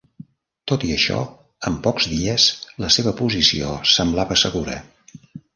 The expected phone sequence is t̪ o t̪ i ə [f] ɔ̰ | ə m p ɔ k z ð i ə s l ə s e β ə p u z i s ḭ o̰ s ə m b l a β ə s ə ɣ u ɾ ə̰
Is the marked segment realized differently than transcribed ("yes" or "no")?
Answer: yes